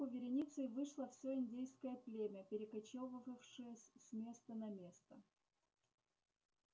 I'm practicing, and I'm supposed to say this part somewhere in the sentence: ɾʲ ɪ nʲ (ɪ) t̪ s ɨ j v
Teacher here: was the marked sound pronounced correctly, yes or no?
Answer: no